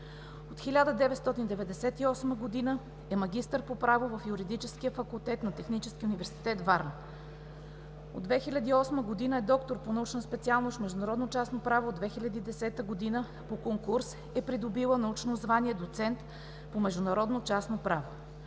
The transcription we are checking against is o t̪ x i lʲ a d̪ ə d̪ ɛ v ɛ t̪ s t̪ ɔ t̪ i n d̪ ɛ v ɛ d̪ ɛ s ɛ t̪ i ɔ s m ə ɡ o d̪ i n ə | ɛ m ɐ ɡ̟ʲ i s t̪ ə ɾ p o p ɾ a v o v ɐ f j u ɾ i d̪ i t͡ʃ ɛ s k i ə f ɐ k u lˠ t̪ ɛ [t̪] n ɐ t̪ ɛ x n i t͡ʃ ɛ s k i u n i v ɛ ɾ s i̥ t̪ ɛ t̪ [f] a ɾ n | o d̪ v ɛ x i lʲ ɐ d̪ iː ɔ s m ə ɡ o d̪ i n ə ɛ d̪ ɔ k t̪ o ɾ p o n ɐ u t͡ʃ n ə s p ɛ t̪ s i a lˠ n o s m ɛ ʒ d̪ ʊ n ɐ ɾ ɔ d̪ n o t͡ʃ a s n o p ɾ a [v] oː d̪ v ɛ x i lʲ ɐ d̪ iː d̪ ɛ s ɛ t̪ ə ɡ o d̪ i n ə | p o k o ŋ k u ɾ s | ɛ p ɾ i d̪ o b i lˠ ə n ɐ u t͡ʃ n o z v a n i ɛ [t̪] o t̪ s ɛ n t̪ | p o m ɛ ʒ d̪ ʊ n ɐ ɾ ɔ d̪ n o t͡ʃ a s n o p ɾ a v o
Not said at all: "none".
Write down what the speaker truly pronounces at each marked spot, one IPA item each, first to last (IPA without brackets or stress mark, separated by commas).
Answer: t̪, v, v, d̪